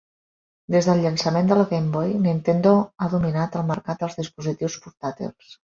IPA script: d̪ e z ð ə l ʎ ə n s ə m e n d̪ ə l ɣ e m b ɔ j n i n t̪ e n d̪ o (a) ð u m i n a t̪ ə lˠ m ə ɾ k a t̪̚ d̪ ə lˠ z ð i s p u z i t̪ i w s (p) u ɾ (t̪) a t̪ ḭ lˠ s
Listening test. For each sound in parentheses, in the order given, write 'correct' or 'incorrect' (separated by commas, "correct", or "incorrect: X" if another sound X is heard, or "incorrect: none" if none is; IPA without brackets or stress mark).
correct, correct, correct